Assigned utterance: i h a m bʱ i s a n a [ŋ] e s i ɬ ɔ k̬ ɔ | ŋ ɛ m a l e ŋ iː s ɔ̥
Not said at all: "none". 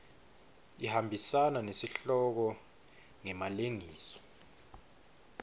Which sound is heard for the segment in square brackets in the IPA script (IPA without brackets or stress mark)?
n